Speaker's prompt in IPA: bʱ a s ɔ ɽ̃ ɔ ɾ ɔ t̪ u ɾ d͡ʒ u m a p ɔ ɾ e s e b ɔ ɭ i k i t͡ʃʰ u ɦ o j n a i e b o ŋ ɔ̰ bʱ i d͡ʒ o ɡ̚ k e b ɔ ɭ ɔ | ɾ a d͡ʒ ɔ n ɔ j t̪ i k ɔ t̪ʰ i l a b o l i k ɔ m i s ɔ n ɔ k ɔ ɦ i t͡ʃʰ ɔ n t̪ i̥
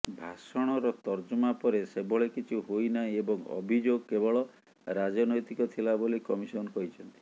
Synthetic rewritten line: bʱ a s ɔ ɽ̃ ɔ ɾ ɔ t̪ ɔ ɾ d͡ʒ u m a p ɔ ɾ e s e b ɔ ɭ e k i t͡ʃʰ u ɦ o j n a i e b ɔ ŋ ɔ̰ bʱ i d͡ʒ o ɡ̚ k e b ɔ ɭ ɔ | ɾ a d͡ʒ ɔ n ɔ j t̪ i k ɔ t̪ʰ i l a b o l i k ɔ m i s ɔ n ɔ k ɔ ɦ i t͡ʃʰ ɔ n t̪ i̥

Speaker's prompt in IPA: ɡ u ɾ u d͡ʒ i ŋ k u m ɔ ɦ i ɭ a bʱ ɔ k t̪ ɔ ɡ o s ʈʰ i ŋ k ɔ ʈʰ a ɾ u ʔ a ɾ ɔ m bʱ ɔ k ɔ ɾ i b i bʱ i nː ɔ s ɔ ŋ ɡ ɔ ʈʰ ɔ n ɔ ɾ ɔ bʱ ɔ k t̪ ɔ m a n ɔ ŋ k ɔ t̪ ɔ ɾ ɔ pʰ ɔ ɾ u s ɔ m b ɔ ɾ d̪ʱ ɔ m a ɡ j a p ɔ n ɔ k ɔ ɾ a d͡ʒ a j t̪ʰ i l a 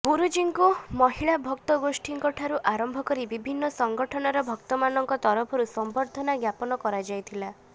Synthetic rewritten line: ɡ u ɾ u d͡ʒ i ŋ k u m ɔ ɦ i ɭ a bʱ ɔ k t̪ ɔ ɡ o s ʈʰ i ŋ k ɔ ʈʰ a ɾ u ʔ a ɾ ɔ m bʱ ɔ k ɔ ɾ i b i bʱ i nː ɔ s ɔ ŋ ɡ ɔ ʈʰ ɔ n ɔ ɾ ɔ bʱ ɔ k t̪ ɔ m a n ɔ ŋ k ɔ t̪ ɔ ɾ ɔ pʰ ɔ ɾ u s ɔ m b ɔ ɾ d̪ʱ ɔ n a ɡ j a p ɔ n ɔ k ɔ ɾ a d͡ʒ a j t̪ʰ i l a

